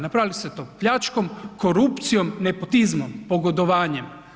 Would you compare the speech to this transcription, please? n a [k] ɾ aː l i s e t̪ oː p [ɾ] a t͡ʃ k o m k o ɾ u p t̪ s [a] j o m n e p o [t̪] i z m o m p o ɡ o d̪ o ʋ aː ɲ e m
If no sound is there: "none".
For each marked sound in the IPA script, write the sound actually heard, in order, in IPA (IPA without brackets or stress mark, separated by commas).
p, ʎ, i, t̪